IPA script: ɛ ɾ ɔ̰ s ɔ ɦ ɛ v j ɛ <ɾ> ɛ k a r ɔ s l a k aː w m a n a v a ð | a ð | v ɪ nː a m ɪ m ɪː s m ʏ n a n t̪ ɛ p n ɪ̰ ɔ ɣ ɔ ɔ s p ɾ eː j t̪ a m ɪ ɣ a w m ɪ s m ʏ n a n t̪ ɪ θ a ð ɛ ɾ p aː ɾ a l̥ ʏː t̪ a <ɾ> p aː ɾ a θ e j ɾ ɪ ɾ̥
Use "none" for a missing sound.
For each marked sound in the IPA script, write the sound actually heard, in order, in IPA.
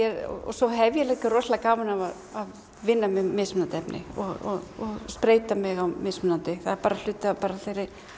l, none

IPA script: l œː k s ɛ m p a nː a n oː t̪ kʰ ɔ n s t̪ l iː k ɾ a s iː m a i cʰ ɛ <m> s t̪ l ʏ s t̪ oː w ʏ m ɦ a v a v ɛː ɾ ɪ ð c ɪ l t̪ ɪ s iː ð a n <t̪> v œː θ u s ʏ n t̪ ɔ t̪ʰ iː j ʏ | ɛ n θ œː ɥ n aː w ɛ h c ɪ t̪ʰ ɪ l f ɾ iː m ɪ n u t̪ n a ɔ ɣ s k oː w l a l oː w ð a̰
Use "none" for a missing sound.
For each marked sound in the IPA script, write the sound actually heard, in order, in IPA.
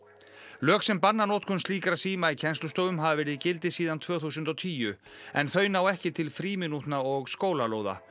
n, t̪ʰ

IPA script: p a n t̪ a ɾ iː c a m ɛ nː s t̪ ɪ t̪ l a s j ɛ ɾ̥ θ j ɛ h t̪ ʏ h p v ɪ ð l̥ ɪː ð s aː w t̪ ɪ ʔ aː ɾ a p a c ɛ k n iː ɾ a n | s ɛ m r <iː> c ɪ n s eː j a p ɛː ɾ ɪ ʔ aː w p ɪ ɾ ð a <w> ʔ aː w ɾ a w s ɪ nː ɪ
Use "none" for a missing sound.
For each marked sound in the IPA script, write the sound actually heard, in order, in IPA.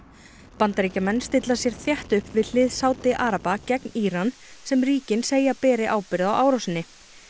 iː, w

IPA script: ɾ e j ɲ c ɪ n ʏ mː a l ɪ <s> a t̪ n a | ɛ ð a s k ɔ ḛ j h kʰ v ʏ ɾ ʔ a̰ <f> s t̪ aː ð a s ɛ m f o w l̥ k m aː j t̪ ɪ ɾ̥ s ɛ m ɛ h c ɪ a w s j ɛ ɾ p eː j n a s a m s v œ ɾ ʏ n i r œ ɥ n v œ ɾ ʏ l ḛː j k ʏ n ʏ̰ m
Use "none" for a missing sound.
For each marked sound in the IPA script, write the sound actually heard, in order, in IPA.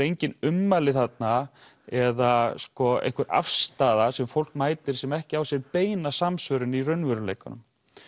θ, f

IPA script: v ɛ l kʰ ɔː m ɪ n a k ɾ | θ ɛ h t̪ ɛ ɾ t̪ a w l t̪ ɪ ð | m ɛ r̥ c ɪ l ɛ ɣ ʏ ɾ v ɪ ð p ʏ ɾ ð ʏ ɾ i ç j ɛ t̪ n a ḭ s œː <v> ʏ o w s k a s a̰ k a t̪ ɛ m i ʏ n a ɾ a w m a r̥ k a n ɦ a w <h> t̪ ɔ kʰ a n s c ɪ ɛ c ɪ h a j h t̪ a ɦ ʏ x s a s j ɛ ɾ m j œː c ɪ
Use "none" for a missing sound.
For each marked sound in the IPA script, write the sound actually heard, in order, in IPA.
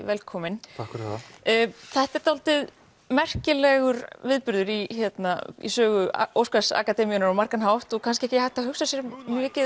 ɣ, h

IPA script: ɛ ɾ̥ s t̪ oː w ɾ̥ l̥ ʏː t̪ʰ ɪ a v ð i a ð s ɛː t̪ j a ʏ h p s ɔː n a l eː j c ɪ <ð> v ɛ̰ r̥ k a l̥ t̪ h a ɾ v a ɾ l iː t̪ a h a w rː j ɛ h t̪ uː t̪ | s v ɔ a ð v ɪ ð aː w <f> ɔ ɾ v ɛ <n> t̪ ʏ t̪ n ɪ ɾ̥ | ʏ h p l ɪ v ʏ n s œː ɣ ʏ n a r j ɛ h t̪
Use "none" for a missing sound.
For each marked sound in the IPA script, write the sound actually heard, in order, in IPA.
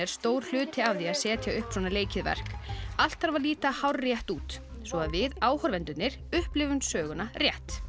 ð, h, n

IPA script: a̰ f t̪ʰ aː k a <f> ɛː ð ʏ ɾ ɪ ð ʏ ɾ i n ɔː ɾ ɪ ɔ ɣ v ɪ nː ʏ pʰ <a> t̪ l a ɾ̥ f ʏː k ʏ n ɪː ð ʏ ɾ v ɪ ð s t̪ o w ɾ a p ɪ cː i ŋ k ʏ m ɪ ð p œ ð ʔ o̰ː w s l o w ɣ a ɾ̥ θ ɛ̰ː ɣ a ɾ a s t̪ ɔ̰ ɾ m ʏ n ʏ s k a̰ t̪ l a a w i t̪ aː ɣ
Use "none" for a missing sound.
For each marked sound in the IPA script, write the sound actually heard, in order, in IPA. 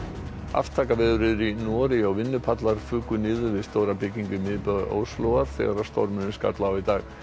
v, a

